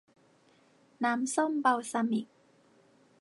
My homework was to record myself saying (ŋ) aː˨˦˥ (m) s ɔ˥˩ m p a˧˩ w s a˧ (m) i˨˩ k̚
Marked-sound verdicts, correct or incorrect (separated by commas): incorrect, correct, correct